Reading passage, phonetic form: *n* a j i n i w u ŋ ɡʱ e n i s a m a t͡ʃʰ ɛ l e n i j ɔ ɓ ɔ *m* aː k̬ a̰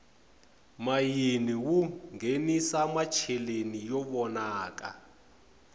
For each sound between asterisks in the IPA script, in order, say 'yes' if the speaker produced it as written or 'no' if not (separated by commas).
no, no